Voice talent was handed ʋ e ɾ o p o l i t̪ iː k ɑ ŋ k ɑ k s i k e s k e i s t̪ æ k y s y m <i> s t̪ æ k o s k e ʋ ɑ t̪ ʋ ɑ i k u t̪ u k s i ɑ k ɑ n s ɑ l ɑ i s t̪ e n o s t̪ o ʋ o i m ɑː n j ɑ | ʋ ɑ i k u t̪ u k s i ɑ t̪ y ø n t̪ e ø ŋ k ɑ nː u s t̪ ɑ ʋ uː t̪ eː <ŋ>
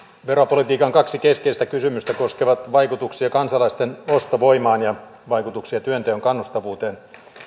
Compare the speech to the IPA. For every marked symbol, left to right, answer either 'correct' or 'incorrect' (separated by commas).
incorrect, incorrect